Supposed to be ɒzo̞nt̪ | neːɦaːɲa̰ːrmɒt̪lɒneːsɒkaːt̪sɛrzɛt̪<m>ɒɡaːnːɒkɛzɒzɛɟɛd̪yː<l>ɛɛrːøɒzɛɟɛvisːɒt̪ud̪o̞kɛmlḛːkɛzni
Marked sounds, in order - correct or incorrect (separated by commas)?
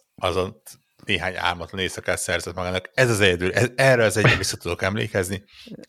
correct, correct